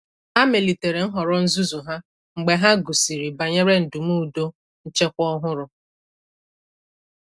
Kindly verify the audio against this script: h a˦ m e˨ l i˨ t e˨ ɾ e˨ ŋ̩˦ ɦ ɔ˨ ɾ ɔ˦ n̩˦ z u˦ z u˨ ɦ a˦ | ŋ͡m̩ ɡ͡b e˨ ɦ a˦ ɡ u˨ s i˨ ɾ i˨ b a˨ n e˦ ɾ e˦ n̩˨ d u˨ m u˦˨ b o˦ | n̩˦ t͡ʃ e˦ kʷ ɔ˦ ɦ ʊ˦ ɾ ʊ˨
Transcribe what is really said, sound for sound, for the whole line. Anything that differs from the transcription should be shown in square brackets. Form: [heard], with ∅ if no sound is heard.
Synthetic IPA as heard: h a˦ m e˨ l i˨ t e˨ ɾ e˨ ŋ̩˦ ɦ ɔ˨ ɾ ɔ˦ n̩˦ z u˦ z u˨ ɦ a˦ | ŋ͡m̩ ɡ͡b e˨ ɦ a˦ ɡ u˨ s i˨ ɾ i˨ b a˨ [ɲ] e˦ ɾ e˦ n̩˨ d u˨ m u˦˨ [d] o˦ | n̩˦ t͡ʃ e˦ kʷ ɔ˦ ɦ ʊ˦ ɾ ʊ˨